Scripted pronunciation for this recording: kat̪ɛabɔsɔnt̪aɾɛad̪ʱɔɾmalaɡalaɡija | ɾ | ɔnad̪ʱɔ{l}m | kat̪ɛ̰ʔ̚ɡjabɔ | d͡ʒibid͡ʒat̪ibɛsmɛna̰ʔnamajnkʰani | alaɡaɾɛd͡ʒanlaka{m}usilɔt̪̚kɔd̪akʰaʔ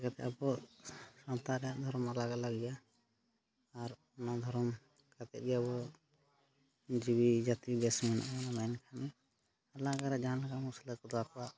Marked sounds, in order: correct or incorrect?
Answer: incorrect, correct

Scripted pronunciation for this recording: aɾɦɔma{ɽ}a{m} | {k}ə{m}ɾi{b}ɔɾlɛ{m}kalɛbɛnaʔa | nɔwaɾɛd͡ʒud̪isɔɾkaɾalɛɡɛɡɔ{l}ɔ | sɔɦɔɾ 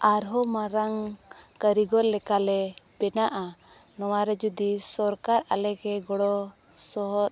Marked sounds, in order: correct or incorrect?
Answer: incorrect, incorrect, correct, incorrect, incorrect, incorrect, incorrect

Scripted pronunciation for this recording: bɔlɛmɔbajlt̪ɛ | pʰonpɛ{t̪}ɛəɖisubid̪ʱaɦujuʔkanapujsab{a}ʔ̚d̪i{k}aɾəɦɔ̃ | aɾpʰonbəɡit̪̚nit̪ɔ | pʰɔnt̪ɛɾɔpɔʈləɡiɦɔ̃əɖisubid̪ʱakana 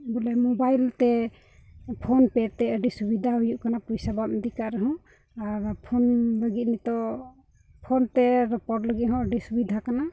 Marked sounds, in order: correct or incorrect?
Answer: correct, correct, correct

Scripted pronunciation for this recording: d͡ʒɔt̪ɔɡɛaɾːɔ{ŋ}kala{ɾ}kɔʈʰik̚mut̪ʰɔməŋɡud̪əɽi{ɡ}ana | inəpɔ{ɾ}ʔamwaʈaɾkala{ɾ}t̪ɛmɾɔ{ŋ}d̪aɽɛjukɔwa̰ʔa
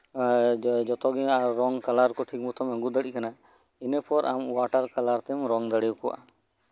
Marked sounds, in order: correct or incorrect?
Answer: correct, correct, incorrect, correct, correct, correct

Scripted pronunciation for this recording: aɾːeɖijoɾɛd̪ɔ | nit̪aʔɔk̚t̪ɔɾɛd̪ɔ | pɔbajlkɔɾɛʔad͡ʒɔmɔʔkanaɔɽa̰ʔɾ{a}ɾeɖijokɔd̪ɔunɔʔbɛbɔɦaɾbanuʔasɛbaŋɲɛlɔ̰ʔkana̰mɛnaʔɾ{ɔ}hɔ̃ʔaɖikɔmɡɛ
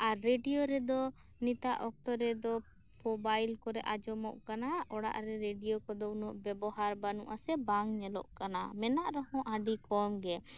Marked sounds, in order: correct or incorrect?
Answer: incorrect, correct

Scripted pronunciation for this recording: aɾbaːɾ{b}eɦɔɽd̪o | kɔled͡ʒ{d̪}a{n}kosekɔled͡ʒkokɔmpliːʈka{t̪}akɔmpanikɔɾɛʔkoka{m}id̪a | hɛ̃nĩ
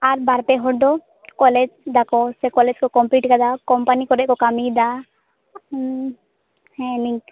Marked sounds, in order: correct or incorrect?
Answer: incorrect, correct, incorrect, incorrect, correct

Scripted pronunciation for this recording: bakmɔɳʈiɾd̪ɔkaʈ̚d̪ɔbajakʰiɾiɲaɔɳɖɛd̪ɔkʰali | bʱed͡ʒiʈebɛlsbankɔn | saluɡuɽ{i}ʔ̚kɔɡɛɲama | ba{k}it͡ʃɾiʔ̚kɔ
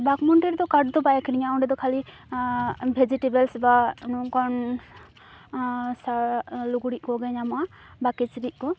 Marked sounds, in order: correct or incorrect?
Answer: correct, correct

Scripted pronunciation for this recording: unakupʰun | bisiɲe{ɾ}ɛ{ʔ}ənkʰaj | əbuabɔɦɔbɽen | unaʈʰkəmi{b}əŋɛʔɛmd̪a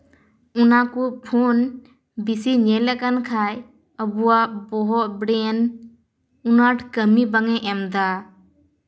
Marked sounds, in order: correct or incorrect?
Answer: incorrect, incorrect, correct

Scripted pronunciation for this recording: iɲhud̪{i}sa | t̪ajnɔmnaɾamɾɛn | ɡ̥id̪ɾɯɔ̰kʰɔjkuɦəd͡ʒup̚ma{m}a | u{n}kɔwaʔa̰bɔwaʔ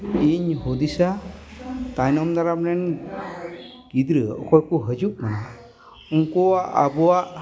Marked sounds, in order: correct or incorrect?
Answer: correct, incorrect, incorrect

